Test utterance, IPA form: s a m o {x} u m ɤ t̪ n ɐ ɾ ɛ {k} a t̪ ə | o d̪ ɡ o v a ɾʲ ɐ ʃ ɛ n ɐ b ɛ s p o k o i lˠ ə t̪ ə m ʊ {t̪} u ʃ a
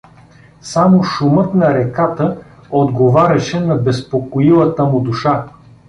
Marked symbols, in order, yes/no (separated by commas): no, yes, no